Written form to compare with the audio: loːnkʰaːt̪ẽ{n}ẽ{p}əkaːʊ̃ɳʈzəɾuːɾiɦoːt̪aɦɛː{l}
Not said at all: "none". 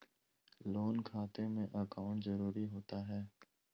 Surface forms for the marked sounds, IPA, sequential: m, ʔ, none

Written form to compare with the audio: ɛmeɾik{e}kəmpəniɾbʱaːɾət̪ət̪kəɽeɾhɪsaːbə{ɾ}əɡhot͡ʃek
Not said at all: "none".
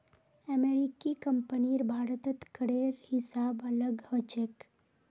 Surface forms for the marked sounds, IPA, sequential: i, l

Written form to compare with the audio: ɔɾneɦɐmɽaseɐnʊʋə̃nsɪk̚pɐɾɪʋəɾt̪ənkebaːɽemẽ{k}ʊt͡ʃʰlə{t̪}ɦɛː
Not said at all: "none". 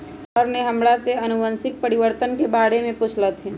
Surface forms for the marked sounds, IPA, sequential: p, t̪

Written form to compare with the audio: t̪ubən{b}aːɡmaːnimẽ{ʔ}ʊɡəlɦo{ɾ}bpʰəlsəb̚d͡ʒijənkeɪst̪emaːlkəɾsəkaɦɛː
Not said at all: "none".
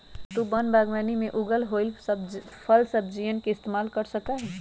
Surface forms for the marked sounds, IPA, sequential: b, ʔ, l

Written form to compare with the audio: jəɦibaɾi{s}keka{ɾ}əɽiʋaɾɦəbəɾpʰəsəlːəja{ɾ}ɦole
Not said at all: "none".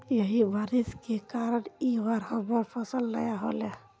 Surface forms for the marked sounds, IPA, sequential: s, ɾ, none

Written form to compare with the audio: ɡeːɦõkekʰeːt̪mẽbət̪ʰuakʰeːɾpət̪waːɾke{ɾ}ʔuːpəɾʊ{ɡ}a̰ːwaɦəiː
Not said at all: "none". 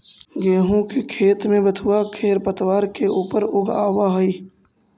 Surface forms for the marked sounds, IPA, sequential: none, ɡ

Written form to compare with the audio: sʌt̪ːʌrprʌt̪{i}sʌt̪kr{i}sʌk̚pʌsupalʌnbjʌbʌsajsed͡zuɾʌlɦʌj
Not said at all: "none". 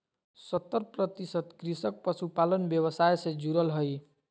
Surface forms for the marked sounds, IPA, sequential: i, i

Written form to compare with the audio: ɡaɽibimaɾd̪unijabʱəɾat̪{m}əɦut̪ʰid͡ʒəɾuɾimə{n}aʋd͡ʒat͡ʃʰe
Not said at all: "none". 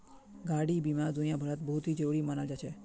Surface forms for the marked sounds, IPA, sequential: b, n

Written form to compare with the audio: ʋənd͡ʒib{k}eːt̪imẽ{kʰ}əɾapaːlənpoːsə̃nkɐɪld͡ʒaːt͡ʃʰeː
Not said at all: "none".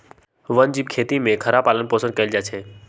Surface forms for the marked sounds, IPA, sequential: kʰ, kʰ

